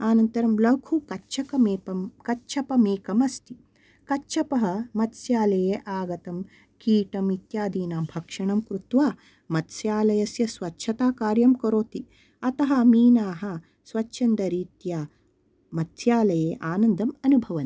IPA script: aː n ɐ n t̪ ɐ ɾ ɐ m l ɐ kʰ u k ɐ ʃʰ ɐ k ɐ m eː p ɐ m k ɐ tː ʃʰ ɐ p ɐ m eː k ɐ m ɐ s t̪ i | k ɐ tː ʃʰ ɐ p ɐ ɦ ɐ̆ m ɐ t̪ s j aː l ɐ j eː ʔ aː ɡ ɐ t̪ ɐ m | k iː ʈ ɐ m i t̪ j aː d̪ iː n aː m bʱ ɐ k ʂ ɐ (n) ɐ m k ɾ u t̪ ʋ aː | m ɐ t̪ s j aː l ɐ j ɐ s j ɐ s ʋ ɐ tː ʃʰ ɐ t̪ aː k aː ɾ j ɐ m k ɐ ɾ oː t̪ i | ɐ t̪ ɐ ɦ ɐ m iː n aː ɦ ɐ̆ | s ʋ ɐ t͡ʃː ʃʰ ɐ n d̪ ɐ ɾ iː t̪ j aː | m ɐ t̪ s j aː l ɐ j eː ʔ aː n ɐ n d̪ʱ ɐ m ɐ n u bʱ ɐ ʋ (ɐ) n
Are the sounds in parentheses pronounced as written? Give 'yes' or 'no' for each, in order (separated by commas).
no, yes